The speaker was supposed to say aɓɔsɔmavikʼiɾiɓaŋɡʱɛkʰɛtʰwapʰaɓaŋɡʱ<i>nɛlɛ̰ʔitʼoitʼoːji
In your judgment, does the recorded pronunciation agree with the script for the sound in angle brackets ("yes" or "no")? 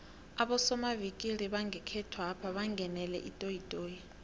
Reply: no